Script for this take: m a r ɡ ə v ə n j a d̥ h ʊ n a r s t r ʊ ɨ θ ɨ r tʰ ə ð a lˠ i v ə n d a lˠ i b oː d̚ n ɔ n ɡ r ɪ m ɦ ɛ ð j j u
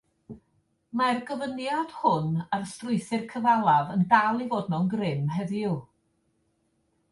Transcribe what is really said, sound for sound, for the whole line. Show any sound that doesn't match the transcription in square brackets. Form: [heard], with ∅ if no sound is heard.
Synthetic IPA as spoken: m a r ɡ ə v ə n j a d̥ h ʊ n a r s t r ʊ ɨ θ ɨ r [kʰ] ə [v] a lˠ [a] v ə n d a lˠ i [v] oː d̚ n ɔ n ɡ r ɪ m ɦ ɛ ð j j u